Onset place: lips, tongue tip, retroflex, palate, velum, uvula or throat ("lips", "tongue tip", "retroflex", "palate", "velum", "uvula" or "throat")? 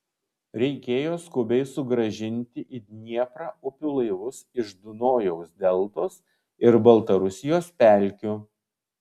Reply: tongue tip